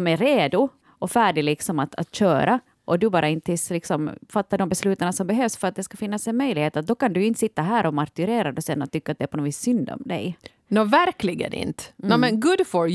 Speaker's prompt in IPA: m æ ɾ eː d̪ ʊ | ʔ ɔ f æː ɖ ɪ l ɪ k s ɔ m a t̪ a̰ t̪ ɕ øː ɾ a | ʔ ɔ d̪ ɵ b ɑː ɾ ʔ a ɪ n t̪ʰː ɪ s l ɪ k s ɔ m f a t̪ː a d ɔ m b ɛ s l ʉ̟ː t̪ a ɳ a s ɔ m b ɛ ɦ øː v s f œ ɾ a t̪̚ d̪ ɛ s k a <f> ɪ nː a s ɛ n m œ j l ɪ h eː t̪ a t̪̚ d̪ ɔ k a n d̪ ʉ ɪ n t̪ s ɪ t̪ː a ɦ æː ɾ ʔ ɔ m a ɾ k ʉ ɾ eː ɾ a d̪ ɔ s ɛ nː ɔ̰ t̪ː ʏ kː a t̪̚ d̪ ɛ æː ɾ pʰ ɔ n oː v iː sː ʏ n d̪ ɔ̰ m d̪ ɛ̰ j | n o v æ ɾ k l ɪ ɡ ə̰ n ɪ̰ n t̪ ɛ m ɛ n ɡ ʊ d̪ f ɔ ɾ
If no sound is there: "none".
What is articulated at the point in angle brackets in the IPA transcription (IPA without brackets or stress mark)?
f